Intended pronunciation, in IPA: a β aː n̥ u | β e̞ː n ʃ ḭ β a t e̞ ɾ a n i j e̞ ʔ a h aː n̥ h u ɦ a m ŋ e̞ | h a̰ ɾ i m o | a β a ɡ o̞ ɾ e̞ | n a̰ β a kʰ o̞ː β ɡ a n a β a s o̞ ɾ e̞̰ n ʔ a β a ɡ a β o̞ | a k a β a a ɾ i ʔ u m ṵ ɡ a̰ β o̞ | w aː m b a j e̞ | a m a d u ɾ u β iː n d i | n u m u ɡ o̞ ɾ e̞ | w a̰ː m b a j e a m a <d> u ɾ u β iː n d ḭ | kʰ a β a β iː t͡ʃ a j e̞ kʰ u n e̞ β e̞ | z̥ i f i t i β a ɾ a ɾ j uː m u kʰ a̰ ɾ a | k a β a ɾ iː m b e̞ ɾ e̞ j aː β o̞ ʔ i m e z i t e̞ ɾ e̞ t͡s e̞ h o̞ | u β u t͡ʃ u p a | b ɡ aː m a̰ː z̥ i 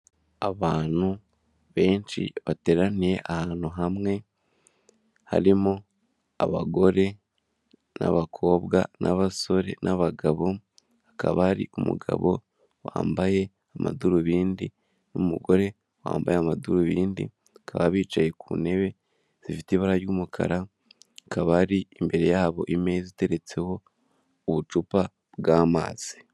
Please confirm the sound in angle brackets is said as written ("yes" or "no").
yes